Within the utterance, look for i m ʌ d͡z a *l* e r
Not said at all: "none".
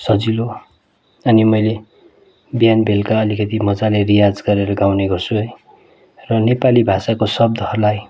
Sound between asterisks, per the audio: l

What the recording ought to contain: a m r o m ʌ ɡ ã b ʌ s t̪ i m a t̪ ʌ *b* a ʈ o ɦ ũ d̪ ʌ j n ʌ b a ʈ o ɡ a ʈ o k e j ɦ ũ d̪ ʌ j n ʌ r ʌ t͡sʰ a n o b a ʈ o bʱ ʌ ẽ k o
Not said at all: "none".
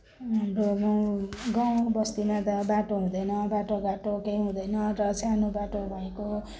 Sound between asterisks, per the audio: b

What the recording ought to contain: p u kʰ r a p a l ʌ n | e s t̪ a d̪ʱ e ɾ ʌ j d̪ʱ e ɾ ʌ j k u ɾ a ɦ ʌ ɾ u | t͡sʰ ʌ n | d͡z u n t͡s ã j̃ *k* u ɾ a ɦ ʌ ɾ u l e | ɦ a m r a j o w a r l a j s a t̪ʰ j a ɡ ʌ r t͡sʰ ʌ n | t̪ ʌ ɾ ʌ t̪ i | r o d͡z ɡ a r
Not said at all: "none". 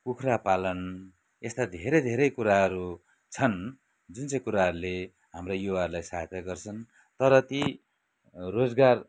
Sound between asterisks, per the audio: k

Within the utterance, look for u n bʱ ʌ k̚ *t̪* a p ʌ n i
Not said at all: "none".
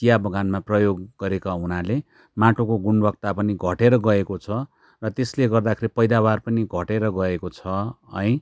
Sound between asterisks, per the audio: t̪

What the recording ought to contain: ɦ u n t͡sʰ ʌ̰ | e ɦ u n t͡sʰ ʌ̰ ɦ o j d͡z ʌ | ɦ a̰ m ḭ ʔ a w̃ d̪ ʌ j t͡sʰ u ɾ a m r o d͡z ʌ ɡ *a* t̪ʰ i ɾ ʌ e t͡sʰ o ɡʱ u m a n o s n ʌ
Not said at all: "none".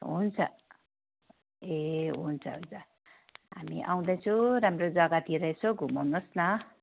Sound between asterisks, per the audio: a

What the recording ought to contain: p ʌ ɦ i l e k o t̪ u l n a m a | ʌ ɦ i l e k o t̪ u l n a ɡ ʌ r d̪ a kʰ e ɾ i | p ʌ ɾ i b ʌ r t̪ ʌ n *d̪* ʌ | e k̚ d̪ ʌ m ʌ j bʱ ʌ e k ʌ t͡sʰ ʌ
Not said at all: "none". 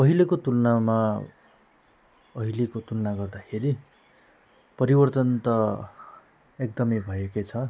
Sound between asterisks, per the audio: t̪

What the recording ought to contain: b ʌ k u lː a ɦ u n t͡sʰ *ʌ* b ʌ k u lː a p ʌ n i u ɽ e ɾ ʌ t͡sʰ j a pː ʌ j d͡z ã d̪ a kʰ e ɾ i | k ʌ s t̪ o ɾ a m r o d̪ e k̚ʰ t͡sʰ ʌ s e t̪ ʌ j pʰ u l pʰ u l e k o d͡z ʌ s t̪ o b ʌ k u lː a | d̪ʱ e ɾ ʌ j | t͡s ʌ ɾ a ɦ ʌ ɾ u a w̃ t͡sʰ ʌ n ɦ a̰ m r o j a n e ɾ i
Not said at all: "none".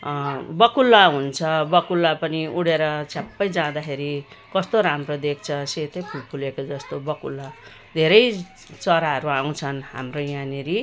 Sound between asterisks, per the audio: ʌ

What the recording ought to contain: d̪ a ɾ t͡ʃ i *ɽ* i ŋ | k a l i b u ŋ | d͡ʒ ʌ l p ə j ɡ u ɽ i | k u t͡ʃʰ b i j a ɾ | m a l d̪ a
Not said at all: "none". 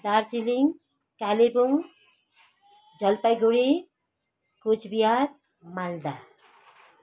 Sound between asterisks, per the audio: l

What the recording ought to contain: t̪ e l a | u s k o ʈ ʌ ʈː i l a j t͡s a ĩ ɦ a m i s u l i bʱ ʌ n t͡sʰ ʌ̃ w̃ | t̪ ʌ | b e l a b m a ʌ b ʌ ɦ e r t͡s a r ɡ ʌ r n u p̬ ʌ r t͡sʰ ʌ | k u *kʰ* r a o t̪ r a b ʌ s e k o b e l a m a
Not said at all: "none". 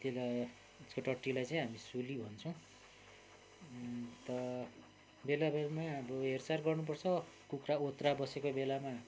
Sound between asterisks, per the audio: k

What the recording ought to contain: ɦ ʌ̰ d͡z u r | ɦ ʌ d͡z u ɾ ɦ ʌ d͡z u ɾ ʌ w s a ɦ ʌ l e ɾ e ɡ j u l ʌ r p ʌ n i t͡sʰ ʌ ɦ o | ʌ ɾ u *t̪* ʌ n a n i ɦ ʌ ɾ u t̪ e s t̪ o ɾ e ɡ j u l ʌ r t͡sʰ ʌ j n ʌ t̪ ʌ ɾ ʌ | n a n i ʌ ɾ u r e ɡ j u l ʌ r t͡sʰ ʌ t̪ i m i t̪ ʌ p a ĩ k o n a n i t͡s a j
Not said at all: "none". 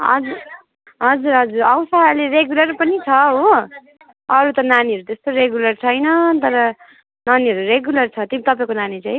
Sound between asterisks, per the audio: t̪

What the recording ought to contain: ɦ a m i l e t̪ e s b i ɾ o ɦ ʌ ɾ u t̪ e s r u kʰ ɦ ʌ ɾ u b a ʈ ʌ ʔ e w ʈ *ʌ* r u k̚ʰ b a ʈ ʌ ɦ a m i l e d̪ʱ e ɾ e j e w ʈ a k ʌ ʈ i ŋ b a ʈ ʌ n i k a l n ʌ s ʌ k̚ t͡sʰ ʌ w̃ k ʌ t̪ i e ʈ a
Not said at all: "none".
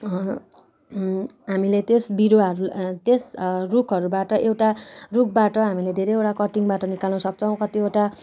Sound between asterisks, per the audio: a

